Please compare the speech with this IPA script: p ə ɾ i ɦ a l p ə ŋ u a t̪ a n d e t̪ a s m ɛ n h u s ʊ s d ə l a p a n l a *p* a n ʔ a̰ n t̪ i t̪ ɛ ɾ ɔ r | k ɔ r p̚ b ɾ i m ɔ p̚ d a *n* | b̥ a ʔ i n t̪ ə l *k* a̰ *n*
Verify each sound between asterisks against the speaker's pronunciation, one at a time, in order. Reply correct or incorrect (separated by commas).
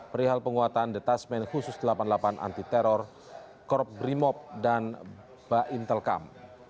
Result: correct, correct, correct, incorrect